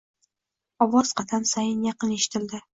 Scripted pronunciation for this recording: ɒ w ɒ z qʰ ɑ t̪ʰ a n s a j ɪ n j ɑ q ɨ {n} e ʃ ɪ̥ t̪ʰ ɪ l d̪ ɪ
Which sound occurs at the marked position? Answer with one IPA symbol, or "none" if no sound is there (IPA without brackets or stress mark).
n